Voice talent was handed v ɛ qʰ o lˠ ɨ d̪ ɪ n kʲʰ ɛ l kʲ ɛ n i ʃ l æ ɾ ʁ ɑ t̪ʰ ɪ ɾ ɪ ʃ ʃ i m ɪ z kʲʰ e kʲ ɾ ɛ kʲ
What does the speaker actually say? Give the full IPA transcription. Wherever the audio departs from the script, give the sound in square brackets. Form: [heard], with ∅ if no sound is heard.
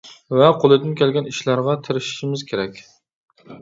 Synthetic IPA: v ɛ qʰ o lˠ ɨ d̪ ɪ n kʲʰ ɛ l [ɡʲ] ɛ n i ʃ l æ ɾ ʁ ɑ t̪ʰ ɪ ɾ ɪ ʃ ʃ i m ɪ z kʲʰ e [∅] ɾ ɛ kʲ

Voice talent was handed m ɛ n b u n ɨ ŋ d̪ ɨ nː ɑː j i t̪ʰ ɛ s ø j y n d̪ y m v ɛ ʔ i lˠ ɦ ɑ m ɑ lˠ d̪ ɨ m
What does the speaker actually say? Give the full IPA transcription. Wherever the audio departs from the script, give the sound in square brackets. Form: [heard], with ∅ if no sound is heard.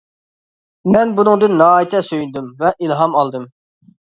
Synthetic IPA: m ɛ n b u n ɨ ŋ d̪ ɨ nː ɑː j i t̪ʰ ɛ s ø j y n d̪ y m v ɛ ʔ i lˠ ɦ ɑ m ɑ lˠ d̪ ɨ m

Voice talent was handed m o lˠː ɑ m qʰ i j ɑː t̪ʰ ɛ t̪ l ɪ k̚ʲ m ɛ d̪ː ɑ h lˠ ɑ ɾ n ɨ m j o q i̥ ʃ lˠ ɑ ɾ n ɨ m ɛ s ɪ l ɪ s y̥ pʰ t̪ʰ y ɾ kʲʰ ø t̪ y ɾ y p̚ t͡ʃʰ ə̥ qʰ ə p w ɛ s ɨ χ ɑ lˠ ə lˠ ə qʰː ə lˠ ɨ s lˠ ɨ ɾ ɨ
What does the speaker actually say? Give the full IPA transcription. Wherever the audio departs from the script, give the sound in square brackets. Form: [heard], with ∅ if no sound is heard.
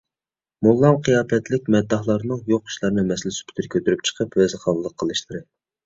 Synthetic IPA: m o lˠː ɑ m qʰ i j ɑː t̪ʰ ɛ t̪ l ɪ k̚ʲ m ɛ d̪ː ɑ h lˠ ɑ ɾ n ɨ [ŋ] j o q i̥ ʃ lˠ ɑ ɾ n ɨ m ɛ s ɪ l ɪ s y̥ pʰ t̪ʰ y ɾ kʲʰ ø t̪ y ɾ y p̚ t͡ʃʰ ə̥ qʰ ə p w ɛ [z] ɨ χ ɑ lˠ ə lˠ ə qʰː ə lˠ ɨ [ʃ] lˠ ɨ ɾ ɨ

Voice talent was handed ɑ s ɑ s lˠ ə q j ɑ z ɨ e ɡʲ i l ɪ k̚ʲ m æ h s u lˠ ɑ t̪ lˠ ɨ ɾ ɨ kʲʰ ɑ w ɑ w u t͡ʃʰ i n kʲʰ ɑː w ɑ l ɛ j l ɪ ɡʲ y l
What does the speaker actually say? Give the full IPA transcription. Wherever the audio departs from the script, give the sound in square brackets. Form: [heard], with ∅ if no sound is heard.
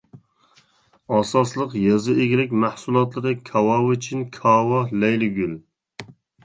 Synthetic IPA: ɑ s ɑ s lˠ ə q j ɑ z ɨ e ɡʲ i l ɪ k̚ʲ m æ h s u lˠ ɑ t̪ lˠ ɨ ɾ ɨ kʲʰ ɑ w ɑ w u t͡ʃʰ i n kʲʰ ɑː w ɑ l ɛ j l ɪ ɡʲ y l

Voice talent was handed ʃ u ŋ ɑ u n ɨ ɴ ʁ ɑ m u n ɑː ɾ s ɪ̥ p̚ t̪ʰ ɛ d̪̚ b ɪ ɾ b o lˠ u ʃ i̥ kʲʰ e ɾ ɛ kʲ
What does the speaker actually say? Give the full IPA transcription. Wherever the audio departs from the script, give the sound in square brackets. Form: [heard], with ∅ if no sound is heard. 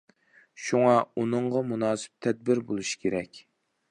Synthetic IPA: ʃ u ŋ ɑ u n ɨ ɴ ʁ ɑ m u n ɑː [∅] s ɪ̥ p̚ t̪ʰ ɛ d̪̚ b ɪ ɾ b o lˠ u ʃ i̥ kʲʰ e ɾ ɛ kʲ

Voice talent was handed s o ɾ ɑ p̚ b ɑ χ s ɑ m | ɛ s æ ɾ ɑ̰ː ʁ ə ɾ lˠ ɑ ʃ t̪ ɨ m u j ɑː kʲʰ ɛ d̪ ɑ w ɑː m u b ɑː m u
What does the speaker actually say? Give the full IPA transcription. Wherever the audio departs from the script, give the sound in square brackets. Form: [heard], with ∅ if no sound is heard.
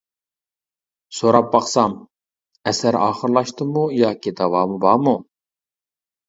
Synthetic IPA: s o ɾ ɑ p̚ b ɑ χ s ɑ m | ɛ s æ ɾ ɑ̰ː [χ] ə ɾ lˠ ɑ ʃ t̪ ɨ m u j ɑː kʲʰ [i] d̪ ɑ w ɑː m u b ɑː m u

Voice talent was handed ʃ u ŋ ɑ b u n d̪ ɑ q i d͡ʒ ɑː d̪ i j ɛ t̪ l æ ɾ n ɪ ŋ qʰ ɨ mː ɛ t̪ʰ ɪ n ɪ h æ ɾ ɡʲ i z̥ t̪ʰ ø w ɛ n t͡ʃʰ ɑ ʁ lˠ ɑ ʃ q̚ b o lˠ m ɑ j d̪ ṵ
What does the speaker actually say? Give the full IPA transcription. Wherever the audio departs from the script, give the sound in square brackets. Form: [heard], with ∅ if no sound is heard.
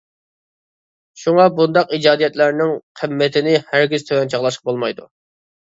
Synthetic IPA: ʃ u ŋ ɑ b u n d̪ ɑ q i d͡ʒ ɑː d̪ i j ɛ t̪ l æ ɾ n ɪ ŋ qʰ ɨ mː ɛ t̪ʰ ɪ n ɪ h æ ɾ ɡʲ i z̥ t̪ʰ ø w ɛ n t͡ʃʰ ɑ ʁ lˠ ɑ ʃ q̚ b o lˠ m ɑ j d̪ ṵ

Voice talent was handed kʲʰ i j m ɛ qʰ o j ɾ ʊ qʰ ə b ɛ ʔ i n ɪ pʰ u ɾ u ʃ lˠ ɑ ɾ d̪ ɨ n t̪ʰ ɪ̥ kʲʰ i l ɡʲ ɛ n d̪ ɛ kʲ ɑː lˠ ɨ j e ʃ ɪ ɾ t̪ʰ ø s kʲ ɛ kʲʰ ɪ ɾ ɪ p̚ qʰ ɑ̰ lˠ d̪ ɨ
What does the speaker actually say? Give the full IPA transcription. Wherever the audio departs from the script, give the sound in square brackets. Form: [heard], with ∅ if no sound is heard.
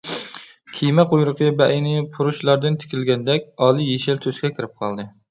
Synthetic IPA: kʲʰ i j m ɛ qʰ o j ɾ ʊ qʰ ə b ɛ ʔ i n ɪ pʰ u ɾ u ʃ lˠ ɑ ɾ d̪ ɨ n t̪ʰ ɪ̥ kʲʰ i l ɡʲ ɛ n d̪ ɛ kʲ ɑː lˠ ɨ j e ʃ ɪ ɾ t̪ʰ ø s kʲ ɛ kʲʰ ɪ ɾ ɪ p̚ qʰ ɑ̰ lˠ d̪ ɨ

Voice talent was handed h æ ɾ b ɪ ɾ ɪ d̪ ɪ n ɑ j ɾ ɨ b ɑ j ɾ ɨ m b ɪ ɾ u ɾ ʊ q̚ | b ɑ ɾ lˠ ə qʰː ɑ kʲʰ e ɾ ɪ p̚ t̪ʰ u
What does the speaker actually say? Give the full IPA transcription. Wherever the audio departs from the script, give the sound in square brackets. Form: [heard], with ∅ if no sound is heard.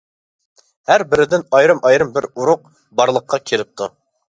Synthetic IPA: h æ ɾ b ɪ ɾ ɪ d̪ ɪ n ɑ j ɾ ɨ [m] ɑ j ɾ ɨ m b ɪ ɾ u ɾ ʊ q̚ | b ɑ ɾ lˠ ə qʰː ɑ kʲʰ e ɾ ɪ p̚ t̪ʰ u

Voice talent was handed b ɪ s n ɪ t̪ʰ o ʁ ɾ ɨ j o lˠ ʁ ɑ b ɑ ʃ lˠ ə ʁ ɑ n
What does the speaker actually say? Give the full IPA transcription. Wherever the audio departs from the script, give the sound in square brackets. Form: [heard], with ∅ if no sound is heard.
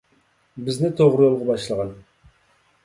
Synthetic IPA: b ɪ [z] n ɪ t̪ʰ o ʁ ɾ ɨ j o lˠ ʁ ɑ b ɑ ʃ lˠ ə ʁ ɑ n

